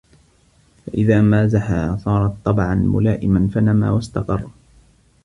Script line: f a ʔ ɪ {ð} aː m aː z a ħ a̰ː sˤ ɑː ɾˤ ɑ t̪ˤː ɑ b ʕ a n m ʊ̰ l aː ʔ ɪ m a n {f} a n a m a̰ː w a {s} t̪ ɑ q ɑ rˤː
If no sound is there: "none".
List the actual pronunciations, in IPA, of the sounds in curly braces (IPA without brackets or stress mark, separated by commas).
ð, f, s